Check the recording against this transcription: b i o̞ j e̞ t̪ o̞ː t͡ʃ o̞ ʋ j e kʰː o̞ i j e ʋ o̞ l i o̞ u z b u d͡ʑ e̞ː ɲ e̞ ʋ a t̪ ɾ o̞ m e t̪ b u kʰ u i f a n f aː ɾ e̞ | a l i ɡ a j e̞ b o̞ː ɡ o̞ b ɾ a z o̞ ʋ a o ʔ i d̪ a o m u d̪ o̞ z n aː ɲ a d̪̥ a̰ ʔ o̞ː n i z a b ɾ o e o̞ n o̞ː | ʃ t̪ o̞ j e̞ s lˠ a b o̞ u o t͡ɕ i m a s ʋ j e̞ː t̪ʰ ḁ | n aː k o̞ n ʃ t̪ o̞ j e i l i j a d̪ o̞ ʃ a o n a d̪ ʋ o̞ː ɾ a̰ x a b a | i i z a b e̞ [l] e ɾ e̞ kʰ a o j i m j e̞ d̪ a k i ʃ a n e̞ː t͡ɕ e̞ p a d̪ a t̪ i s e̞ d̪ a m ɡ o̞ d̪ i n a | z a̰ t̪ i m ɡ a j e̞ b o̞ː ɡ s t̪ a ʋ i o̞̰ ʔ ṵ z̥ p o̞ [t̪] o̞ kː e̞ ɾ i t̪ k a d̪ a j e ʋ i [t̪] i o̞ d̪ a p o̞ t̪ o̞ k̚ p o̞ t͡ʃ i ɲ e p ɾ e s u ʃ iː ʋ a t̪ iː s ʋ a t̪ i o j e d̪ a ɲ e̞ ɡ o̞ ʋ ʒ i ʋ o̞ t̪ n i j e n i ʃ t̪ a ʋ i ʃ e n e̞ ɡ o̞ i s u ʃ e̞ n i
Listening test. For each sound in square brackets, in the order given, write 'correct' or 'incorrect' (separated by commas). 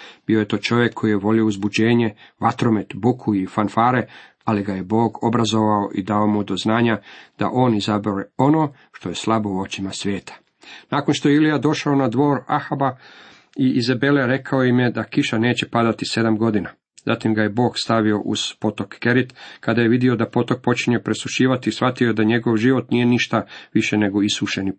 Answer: correct, correct, incorrect